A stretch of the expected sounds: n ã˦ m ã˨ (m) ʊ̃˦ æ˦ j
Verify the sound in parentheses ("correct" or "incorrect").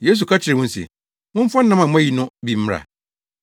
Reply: correct